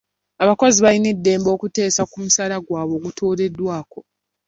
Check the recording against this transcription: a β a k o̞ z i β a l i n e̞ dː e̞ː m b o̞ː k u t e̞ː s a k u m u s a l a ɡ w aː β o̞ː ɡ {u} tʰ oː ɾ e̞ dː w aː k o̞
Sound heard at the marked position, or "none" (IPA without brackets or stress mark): u